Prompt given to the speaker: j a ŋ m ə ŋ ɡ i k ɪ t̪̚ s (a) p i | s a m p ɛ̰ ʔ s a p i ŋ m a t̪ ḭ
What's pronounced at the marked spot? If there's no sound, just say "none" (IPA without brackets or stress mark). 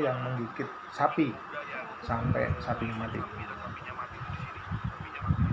a